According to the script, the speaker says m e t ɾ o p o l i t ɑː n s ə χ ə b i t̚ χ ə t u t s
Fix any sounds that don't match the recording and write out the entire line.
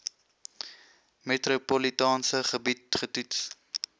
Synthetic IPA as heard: m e t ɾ o p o l i t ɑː n s ə χ ə b i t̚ χ ə t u t s